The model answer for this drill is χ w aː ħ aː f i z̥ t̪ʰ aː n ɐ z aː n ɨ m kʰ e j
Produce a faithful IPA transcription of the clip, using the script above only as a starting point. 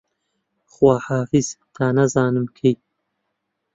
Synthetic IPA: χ w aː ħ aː f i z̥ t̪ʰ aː n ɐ z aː n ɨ m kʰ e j

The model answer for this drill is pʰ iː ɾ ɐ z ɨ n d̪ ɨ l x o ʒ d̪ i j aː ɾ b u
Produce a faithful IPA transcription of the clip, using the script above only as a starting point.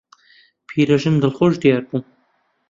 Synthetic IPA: pʰ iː ɾ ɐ ʒ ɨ n d̪ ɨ l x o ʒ d̪ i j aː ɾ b u

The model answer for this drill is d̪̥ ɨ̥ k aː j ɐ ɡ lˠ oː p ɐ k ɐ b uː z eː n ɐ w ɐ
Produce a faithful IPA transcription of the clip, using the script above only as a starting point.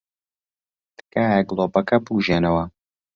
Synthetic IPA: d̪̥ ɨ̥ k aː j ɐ ɡ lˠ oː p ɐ k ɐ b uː ʒ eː n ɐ w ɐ

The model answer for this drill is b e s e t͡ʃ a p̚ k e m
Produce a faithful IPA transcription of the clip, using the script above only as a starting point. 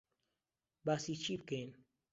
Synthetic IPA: b a s i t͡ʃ i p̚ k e n

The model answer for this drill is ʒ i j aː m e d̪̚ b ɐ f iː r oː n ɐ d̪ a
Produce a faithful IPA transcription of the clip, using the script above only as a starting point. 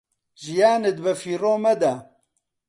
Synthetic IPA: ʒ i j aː n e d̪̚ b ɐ f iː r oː m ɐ d̪ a

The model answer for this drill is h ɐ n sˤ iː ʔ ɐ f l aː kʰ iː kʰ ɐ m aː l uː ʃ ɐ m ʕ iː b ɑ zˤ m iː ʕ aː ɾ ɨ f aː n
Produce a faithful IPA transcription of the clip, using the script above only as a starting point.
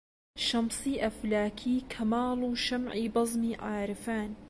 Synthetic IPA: ʃ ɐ m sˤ iː ʔ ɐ f l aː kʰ iː kʰ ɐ m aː l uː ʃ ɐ m ʕ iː b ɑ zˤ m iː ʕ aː ɾ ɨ f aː n

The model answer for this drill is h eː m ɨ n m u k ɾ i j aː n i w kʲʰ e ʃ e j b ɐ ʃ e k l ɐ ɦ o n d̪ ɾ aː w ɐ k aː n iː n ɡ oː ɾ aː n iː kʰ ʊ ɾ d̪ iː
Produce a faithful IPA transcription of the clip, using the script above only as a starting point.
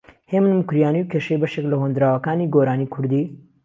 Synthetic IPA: h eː m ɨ n m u k ɾ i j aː n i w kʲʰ e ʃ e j b ɐ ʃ e k l ɐ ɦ o n d̪ ɾ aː w ɐ k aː n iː ɡ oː ɾ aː n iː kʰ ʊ ɾ d̪ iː

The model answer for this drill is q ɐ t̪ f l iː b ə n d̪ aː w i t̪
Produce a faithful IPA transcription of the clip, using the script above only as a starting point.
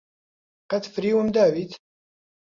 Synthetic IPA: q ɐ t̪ f ɾ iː w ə m d̪ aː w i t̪

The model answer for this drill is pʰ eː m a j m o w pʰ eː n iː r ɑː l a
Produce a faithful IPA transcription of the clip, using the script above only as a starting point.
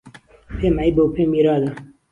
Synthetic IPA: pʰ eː m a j b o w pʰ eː m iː ɾ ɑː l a

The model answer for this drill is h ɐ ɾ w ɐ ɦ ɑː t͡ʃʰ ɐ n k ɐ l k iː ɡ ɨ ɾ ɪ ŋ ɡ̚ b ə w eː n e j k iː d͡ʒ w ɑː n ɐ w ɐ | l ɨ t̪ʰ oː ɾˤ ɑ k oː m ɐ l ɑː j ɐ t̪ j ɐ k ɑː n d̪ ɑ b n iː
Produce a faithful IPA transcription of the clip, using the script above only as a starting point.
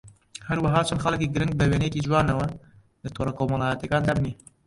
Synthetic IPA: h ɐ ɾ w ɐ ɦ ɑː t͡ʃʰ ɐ n x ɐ l k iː ɡ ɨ ɾ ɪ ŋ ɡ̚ b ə w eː n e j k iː d͡ʒ w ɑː n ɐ w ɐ | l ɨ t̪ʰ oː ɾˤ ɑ k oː m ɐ l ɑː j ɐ t̪ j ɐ k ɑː n d̪ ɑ b n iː

